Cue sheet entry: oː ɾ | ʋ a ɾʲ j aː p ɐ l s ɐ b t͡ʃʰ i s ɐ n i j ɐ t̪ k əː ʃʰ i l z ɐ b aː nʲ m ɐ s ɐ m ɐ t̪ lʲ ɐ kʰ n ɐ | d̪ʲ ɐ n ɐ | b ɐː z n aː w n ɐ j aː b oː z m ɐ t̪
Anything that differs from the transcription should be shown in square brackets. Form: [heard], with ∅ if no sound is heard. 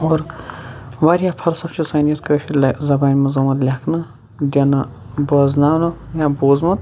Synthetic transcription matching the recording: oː ɾ | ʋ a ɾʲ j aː [pʰ] ɐ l s ɐ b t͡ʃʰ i s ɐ n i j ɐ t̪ k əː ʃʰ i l z ɐ b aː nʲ m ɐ [z] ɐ m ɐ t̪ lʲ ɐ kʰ n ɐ | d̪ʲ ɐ n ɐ | b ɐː z n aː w n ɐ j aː b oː z m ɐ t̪